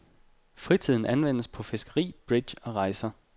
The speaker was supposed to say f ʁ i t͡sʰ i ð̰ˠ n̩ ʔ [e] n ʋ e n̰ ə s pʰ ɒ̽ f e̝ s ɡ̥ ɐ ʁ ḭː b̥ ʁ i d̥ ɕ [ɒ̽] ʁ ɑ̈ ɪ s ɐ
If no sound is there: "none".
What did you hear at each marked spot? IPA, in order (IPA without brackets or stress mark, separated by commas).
æ, ɒ̽